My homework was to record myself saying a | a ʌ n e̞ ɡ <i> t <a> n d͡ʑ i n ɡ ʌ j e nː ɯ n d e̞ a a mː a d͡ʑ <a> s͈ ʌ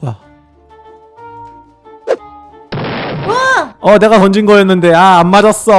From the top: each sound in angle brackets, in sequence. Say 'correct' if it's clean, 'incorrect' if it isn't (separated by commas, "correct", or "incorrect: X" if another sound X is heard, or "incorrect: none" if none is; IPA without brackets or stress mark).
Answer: incorrect: a, incorrect: ʌ, incorrect: ʌ